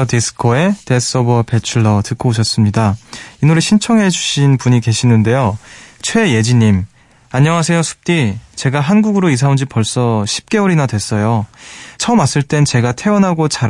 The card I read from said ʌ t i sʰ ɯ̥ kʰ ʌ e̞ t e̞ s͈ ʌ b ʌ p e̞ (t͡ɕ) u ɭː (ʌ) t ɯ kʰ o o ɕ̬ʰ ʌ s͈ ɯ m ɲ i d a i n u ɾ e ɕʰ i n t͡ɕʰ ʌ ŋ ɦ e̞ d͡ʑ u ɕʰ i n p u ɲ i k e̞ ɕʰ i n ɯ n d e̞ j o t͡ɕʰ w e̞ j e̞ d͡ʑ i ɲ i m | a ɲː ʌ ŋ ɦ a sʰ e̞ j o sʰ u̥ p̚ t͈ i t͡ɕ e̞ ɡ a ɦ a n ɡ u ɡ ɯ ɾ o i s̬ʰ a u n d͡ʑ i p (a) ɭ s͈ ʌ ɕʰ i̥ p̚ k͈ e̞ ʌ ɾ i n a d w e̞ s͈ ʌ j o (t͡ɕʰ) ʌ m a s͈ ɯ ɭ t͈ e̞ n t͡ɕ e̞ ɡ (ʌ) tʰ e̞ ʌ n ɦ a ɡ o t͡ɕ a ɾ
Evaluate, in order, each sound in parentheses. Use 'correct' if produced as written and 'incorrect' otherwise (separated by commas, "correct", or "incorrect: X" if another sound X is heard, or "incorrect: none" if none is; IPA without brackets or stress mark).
incorrect: t͡ɕʰ, correct, incorrect: ʌ, correct, incorrect: a